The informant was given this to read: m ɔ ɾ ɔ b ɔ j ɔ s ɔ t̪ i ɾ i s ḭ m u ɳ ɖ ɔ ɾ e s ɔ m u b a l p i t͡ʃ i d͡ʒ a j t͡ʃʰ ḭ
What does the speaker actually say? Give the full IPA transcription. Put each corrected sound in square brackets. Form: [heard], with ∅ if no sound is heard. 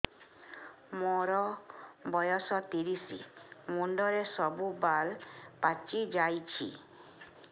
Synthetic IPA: m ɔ ɾ ɔ b ɔ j ɔ s ɔ t̪ i ɾ i s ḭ m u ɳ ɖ ɔ ɾ e s ɔ [b] u b a l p [a] t͡ʃ i d͡ʒ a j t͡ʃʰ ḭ